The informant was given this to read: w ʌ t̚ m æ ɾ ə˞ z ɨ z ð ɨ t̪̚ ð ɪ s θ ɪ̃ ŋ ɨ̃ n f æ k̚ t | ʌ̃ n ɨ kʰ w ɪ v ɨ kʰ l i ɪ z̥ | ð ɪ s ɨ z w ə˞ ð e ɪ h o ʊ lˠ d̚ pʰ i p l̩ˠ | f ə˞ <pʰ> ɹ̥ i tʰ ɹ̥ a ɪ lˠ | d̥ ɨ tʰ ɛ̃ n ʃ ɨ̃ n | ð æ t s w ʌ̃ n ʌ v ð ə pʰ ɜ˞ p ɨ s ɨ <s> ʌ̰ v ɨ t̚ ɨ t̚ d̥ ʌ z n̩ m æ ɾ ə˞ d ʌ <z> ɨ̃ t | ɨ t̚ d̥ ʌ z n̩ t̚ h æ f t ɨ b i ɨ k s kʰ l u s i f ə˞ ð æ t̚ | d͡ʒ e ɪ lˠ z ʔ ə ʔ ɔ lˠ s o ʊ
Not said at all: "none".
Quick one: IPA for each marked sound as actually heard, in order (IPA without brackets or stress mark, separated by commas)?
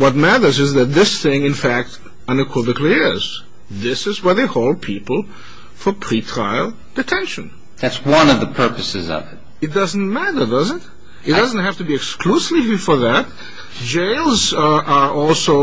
pʰ, z, z